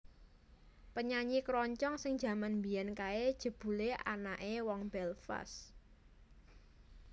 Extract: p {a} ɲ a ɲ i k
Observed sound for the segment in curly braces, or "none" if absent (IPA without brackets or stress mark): ə